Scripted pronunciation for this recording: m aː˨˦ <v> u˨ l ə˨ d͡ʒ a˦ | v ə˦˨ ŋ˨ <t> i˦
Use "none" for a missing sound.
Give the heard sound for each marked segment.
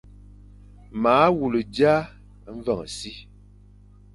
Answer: w, s

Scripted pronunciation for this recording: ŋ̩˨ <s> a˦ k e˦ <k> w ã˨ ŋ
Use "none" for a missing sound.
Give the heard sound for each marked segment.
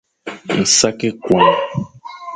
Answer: s, k

